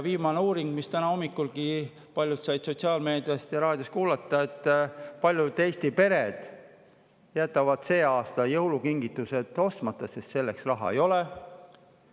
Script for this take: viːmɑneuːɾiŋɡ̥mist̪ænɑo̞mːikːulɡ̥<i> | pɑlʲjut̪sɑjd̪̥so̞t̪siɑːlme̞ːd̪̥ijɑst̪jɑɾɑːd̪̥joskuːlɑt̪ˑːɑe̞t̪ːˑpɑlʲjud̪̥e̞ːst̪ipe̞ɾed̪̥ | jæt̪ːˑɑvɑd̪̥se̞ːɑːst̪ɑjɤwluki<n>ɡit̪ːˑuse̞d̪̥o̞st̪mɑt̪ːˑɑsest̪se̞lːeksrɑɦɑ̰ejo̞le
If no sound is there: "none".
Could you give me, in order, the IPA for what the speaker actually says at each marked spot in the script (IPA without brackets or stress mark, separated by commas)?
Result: i, ŋ